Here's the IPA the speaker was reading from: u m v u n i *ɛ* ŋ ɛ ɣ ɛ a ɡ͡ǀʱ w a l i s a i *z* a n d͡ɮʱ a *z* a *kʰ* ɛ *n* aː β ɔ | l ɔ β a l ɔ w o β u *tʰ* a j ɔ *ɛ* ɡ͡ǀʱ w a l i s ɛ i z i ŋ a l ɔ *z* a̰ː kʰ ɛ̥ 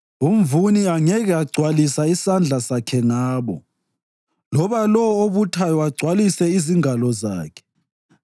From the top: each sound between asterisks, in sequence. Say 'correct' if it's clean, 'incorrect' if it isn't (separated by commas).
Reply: incorrect, incorrect, incorrect, correct, incorrect, correct, incorrect, correct